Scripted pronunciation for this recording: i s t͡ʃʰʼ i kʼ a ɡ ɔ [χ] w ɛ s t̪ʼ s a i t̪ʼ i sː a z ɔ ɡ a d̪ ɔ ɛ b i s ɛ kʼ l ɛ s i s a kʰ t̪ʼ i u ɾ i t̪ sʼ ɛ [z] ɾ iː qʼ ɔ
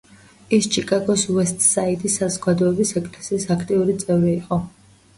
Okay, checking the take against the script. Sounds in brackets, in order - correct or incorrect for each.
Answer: incorrect: s, incorrect: v

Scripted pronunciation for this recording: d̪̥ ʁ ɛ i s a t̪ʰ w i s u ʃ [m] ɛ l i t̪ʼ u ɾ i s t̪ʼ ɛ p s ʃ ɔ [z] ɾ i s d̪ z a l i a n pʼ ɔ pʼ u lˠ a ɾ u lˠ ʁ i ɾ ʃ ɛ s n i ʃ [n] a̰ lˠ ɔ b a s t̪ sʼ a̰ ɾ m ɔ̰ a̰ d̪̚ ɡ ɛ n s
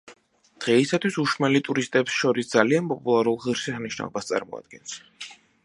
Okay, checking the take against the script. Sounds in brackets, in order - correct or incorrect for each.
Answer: correct, incorrect: none, correct

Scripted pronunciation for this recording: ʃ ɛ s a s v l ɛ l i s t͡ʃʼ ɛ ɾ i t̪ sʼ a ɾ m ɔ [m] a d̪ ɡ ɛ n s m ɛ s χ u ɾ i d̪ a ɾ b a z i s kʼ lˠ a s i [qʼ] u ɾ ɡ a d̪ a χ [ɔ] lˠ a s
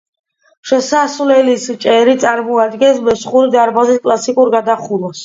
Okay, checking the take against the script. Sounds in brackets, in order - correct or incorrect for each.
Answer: incorrect: none, incorrect: kʼ, incorrect: u

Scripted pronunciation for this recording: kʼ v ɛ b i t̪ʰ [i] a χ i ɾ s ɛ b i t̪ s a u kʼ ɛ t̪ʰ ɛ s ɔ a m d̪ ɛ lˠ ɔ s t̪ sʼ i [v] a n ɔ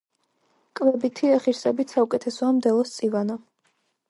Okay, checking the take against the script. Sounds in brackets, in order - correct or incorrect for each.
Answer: correct, correct

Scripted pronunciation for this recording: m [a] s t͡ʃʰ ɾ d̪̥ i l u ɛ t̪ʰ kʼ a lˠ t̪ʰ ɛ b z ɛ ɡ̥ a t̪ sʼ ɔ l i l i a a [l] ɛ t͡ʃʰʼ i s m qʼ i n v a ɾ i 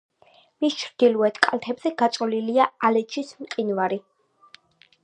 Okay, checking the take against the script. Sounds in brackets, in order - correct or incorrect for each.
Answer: incorrect: i, correct

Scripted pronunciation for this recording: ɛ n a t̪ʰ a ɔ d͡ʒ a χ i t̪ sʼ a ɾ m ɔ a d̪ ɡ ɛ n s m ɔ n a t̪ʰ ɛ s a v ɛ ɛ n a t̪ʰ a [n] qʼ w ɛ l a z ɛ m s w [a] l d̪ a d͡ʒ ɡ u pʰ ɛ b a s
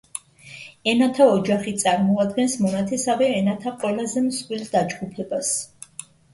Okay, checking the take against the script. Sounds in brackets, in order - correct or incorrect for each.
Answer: incorrect: none, incorrect: i

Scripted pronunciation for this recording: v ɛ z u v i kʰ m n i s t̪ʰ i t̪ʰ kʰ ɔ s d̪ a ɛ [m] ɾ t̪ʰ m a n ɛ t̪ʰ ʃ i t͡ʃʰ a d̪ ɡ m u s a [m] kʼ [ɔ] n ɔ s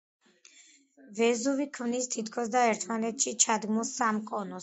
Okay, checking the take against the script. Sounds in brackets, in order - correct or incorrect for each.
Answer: incorrect: none, correct, correct

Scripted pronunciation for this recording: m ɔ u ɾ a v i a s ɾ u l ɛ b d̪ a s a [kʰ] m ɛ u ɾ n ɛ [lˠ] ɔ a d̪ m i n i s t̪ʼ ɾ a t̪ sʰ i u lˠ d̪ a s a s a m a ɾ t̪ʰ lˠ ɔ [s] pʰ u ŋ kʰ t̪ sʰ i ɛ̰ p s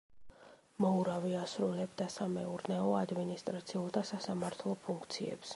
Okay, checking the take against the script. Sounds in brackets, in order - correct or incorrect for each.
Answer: incorrect: none, incorrect: none, incorrect: none

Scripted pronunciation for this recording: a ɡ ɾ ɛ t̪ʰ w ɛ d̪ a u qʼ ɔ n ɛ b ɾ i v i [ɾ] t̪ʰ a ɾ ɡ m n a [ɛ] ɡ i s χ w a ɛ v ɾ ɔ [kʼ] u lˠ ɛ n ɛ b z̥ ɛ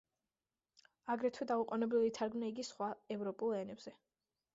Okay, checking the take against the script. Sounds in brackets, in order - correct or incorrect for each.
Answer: incorrect: none, incorrect: i, incorrect: pʼ

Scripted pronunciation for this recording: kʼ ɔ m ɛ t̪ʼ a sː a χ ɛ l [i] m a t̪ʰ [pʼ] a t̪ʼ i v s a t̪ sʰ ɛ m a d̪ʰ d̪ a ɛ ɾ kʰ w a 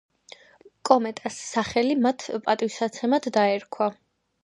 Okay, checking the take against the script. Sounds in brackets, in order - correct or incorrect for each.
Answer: correct, correct

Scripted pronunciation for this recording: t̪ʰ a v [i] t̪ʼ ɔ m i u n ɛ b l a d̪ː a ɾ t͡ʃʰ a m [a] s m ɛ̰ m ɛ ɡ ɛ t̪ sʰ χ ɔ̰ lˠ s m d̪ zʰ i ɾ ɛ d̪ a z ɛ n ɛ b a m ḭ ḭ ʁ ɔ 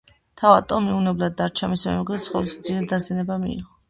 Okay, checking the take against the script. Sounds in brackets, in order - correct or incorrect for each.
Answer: incorrect: a, incorrect: i

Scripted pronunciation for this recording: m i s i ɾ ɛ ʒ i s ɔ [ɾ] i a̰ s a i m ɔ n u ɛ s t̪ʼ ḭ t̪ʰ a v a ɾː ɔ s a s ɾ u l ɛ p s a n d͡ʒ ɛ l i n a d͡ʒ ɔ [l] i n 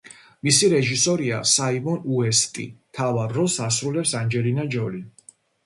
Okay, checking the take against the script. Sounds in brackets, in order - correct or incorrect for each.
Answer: correct, correct

